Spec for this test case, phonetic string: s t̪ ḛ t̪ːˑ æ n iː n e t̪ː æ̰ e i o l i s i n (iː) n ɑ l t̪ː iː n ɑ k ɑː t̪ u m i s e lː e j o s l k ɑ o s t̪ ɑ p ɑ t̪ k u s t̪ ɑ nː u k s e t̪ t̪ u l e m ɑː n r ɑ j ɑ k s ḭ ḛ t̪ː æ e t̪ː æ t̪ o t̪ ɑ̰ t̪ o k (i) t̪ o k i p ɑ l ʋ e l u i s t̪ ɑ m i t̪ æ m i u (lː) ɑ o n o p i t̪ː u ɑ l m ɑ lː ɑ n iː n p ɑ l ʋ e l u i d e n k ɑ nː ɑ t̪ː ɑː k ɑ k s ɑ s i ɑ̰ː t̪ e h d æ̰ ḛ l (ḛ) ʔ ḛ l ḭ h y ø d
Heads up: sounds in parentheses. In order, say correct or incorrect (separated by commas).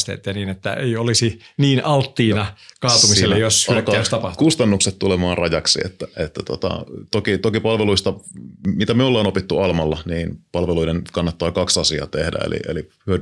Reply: correct, correct, correct, incorrect